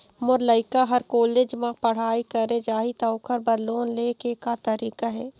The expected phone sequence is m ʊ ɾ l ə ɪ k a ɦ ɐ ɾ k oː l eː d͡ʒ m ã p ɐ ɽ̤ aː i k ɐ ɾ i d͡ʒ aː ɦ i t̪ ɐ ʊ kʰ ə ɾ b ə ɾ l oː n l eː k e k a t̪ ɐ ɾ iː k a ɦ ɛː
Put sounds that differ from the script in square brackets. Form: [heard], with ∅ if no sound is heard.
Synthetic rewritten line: m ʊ ɾ l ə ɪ k a ɦ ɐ ɾ k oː l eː d͡ʒ m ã p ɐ ɽ̤ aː i k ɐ ɾ [e] d͡ʒ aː ɦ i t̪ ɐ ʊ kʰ ə ɾ b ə ɾ l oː n l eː k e k a t̪ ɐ ɾ iː k a ɦ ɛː